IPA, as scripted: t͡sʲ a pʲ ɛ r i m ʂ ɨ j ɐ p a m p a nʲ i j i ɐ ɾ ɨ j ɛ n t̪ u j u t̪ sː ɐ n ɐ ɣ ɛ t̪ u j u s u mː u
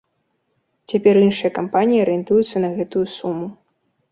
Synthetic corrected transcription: t͡sʲ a pʲ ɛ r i n ʂ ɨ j ɐ k a m p a nʲ i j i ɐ ɾ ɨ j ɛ n t̪ u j u t̪ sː ɐ n ɐ ɣ ɛ t̪ u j u s u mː u